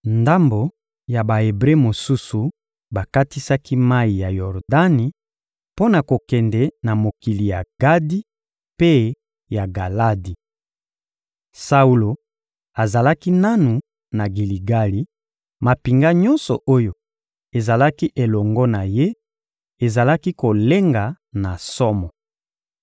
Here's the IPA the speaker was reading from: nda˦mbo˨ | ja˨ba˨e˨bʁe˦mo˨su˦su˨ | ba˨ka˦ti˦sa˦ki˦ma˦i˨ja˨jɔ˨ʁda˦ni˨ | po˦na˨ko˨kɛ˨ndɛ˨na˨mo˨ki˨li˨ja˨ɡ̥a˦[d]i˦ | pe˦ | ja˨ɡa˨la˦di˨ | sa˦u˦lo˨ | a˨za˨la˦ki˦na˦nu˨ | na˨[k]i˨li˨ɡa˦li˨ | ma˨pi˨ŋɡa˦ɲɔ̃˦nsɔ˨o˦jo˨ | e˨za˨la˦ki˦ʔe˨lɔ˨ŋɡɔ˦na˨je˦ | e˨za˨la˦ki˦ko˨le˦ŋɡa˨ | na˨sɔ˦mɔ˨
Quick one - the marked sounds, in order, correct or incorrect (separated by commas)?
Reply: correct, incorrect